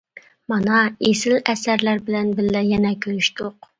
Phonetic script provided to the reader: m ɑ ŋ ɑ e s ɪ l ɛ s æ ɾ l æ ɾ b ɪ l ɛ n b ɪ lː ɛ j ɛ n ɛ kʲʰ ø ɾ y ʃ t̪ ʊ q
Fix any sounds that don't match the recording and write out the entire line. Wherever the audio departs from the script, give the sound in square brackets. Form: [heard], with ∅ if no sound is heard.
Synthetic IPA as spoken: m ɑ [n] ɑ e s ɪ l ɛ s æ ɾ l æ ɾ b ɪ l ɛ n b ɪ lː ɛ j ɛ n ɛ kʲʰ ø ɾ y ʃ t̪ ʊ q